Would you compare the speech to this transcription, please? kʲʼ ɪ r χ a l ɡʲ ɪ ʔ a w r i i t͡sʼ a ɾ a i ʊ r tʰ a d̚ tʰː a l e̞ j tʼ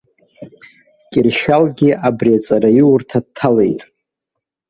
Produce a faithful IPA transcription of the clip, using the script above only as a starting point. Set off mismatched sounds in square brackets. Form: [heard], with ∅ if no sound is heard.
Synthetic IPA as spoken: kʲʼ ɪ r [ʃ] a l ɡʲ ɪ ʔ a [b] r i [a] t͡sʼ a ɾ a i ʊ r tʰ a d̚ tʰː a l e̞ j tʼ